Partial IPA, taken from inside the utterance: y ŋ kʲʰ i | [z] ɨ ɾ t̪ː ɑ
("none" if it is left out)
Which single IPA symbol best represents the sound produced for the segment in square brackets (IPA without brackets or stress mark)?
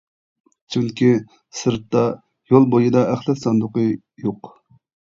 s